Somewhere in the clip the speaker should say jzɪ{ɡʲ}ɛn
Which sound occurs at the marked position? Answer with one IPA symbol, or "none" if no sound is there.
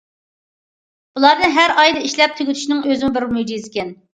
kʲ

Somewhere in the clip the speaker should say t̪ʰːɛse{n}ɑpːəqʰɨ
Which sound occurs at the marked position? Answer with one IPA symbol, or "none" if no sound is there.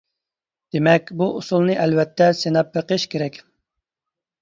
n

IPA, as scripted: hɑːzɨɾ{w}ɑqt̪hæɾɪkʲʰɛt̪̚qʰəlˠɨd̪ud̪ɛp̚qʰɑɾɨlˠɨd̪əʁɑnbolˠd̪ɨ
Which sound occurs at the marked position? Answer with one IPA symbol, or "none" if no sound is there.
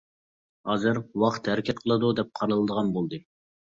w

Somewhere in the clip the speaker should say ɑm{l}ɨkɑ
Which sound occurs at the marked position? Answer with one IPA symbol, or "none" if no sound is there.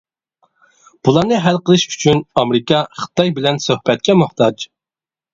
ɾ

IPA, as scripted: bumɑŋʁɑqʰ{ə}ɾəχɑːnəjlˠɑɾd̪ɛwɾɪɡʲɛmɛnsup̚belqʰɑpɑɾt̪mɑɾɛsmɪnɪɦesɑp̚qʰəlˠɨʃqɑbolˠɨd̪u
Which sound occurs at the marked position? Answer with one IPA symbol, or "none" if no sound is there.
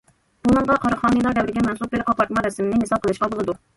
ɑ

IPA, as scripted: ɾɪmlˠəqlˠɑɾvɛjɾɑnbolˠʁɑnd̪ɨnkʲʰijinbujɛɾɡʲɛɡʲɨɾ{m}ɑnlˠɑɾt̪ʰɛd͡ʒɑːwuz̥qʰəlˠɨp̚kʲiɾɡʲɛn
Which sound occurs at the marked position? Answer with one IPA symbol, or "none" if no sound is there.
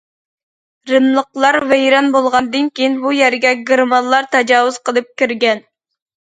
m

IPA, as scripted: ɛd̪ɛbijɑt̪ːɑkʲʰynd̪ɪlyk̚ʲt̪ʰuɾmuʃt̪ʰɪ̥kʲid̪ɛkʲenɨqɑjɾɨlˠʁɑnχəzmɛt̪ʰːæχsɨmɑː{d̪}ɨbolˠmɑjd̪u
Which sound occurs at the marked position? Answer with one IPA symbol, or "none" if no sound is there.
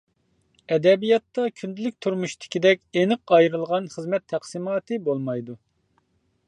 t̪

